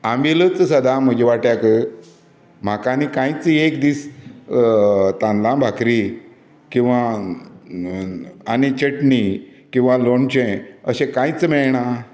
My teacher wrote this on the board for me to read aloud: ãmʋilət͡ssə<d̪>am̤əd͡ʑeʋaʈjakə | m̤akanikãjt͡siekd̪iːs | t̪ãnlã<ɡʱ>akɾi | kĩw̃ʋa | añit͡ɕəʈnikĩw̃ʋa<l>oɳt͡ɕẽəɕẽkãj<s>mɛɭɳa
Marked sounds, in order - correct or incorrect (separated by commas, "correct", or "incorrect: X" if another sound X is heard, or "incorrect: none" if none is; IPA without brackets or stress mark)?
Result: correct, incorrect: bʱ, correct, incorrect: t͡s